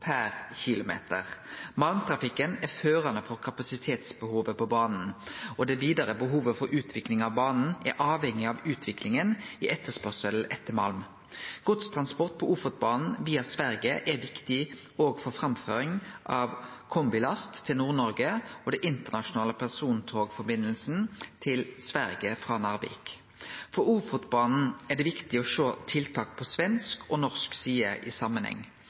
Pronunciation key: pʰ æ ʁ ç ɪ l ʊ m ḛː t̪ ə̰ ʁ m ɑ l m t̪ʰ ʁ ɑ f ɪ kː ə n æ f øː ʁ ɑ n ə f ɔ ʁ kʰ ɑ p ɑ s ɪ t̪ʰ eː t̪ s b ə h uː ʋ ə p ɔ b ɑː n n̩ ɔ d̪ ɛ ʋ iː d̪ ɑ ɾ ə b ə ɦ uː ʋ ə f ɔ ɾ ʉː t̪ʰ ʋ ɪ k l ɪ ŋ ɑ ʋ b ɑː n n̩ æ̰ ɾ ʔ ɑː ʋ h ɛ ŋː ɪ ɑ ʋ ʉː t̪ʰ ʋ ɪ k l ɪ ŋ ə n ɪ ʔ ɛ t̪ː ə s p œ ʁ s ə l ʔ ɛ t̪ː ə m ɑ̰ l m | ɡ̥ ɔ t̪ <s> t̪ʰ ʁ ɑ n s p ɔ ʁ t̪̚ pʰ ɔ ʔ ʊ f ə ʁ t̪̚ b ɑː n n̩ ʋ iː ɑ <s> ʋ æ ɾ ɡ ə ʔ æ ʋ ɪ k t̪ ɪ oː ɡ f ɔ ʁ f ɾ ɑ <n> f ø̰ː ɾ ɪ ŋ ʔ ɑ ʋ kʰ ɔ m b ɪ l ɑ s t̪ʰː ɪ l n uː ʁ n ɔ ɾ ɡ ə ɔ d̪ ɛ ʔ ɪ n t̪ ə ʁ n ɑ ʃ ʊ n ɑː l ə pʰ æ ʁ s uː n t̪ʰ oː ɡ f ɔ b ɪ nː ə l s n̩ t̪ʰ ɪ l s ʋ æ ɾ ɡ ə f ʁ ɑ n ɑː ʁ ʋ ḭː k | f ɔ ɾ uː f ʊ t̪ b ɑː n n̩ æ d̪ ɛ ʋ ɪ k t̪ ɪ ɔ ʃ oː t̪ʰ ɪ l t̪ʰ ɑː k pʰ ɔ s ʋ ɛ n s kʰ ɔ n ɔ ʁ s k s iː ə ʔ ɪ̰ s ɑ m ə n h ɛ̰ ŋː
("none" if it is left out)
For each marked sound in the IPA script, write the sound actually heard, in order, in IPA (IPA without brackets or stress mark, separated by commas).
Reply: s, s, m